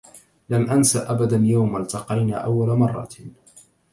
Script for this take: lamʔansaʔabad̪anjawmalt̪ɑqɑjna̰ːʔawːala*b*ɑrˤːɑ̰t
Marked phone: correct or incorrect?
incorrect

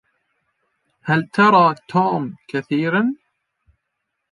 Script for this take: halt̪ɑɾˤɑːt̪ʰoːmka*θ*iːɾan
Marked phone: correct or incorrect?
correct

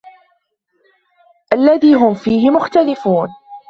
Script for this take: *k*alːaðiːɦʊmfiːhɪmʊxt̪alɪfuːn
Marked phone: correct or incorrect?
incorrect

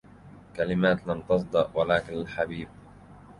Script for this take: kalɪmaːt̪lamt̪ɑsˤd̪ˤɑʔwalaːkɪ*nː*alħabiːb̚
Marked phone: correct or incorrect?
incorrect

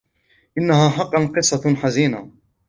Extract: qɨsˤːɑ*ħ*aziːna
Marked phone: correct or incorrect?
correct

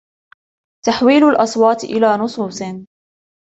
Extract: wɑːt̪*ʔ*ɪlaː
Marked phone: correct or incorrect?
correct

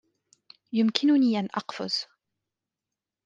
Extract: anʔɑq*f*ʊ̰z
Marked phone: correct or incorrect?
correct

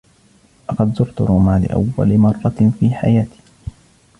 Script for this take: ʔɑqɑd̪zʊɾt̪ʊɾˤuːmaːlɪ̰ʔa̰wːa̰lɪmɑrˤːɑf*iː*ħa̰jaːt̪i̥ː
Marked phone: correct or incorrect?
correct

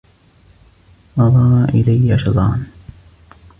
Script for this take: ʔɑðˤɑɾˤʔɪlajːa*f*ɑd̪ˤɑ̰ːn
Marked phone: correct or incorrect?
incorrect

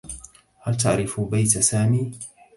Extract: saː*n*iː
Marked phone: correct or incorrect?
incorrect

